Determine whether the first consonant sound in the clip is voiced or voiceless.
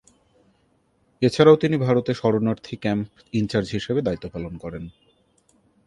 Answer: voiceless